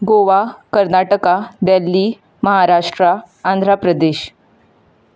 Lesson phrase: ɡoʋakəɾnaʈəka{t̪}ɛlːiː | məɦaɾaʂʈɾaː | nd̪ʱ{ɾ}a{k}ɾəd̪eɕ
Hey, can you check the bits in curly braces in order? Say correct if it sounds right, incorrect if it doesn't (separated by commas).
incorrect, correct, incorrect